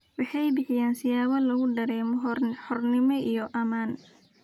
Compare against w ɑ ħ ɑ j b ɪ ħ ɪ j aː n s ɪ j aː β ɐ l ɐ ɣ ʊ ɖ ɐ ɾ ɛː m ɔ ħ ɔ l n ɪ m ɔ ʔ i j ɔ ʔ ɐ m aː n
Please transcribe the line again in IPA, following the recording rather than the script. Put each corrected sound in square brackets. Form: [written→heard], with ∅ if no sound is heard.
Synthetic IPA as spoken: w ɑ ħ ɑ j b ɪ ħ ɪ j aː n s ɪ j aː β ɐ l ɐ ɣ ʊ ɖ ɐ ɾ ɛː m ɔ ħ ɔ [l→r] n ɪ m ɔ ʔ i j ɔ ʔ ɐ m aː n